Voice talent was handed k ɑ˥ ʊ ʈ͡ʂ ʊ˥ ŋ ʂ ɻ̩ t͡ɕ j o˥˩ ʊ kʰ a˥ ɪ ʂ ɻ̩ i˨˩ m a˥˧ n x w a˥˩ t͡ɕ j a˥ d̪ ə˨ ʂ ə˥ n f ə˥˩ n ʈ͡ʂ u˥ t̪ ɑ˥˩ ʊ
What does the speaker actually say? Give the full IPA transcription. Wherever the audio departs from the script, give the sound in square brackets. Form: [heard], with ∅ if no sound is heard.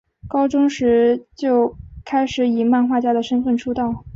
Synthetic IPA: k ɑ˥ ʊ ʈ͡ʂ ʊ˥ ŋ ʂ ɻ̩ t͡ɕ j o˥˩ ʊ kʰ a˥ ɪ ʂ ɻ̩ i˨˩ m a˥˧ n x w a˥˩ t͡ɕ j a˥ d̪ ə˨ ʂ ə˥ n f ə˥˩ n [ʈ͡ʂʰ] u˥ t̪ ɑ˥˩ ʊ